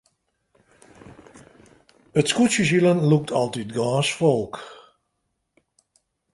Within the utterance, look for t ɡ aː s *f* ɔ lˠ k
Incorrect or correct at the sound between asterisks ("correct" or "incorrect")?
correct